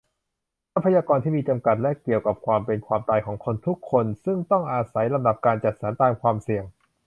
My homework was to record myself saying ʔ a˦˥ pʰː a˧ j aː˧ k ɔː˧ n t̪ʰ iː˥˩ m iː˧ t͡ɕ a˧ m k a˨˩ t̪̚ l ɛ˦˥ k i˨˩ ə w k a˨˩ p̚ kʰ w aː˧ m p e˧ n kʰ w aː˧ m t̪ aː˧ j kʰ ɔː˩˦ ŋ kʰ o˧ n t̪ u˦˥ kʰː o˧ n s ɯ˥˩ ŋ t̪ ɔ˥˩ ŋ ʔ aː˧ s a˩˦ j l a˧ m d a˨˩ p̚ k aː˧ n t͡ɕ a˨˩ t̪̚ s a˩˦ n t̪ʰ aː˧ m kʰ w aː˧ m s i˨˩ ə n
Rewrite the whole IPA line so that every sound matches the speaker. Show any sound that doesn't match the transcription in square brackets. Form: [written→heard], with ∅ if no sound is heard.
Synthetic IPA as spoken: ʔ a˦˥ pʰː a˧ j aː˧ k ɔː˧ n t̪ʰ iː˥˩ m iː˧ t͡ɕ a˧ m k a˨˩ t̪̚ l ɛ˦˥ k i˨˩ ə w k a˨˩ p̚ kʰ w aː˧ m p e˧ n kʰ w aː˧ m t̪ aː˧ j kʰ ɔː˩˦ ŋ kʰ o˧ n [t̪→t̪ʰ] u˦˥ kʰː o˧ n s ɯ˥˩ ŋ t̪ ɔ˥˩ ŋ ʔ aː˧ s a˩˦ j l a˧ m d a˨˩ p̚ k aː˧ n t͡ɕ a˨˩ t̪̚ s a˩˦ n [t̪ʰ→t̪] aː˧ m kʰ w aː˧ m s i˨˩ ə [n→ŋ]